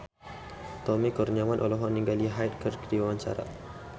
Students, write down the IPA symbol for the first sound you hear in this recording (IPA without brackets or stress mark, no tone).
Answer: t̪